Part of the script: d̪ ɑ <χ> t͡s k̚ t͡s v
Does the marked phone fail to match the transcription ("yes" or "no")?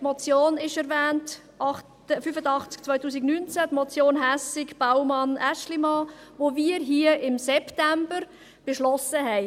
no